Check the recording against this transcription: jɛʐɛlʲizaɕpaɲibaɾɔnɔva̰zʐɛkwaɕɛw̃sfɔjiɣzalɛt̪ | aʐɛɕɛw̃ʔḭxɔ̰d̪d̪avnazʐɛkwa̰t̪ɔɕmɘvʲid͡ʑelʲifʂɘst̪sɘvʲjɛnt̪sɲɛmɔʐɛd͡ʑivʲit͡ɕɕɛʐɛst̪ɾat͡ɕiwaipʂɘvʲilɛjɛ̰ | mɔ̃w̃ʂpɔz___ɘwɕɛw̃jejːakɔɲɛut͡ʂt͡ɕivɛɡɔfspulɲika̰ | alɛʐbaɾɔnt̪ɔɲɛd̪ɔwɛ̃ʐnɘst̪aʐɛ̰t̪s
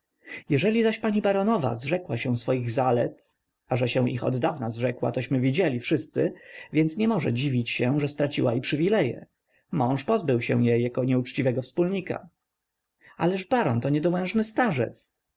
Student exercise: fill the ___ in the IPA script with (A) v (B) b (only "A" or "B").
B